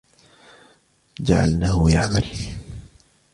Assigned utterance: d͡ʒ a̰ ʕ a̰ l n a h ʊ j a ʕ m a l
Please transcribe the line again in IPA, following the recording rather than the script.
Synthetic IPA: d͡ʒ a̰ ʕ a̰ l n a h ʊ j a ʕ m a l